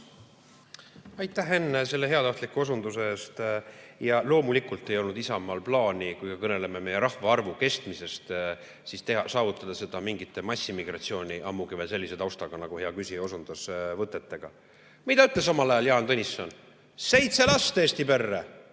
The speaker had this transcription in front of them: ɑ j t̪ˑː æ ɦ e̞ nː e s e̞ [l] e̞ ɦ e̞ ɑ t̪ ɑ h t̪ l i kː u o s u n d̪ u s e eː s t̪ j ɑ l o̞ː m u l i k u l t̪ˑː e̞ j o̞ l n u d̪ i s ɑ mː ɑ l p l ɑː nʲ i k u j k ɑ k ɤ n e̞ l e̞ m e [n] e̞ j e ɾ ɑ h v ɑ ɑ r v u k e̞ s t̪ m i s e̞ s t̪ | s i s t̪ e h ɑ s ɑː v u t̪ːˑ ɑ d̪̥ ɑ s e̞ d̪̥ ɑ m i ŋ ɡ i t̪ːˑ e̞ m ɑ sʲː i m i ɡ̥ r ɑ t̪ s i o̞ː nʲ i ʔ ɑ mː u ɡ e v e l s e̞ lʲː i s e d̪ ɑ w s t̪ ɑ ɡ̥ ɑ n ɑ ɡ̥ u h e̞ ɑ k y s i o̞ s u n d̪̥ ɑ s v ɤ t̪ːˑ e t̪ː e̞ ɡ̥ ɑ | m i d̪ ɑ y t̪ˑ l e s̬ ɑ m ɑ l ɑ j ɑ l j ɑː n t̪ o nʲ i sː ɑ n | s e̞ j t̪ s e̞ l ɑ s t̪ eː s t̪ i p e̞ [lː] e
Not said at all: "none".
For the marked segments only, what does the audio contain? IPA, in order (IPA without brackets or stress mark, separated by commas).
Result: lː, m, rː